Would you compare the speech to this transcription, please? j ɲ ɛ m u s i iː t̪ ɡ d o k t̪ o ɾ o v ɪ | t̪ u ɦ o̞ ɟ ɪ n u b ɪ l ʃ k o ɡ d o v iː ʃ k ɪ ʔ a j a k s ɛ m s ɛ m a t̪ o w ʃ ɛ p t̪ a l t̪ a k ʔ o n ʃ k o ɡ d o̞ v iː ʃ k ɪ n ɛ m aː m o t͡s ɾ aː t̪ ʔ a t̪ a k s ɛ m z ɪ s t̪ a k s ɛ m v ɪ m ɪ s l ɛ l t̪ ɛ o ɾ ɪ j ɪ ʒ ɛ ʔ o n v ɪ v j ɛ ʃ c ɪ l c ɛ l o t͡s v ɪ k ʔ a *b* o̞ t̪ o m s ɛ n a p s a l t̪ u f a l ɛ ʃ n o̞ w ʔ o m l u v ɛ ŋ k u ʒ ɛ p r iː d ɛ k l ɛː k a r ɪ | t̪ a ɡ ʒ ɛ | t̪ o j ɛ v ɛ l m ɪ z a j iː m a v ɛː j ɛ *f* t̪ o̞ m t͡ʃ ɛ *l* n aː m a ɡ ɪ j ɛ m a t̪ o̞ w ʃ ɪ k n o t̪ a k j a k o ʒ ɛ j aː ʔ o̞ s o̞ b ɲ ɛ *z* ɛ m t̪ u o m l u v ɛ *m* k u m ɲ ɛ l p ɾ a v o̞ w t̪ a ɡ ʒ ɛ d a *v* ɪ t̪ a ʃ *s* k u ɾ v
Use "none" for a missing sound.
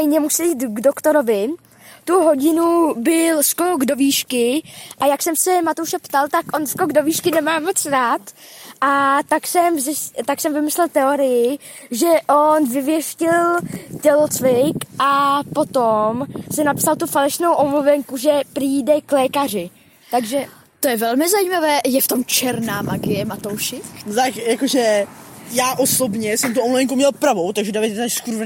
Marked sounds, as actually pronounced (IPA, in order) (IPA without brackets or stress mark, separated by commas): p, f, ɾ, s, ŋ, v, s